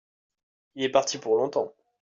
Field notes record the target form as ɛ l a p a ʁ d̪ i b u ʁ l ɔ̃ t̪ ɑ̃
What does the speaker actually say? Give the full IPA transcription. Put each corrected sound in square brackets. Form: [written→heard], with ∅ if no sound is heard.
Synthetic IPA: [ɛ→i] l [a→ɛ] p a ʁ [d̪→t̪] i [b→p] u ʁ l ɔ̃ t̪ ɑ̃